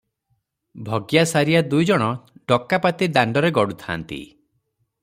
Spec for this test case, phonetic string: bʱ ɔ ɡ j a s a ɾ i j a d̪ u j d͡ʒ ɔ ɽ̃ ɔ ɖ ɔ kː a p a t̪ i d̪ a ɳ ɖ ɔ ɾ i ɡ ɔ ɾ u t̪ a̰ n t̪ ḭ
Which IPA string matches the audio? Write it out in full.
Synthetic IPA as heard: bʱ ɔ ɡ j a s a ɾ i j a d̪ u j d͡ʒ ɔ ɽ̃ ɔ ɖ ɔ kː a p a t̪ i d̪ a ɳ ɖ ɔ ɾ e ɡ ɔ ɽ u t̪ʰ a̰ n t̪ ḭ